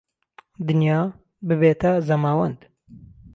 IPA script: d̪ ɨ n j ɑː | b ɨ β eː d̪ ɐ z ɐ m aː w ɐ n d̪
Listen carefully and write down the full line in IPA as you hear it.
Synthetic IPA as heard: d̪ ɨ n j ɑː | b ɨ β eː t̪ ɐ z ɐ m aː w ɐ n d̪